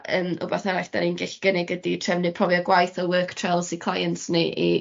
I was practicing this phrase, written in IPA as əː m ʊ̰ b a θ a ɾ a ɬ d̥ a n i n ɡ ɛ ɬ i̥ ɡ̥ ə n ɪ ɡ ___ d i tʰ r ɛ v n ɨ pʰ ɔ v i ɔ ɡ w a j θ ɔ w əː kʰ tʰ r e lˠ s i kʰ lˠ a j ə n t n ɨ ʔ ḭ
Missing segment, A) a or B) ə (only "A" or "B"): B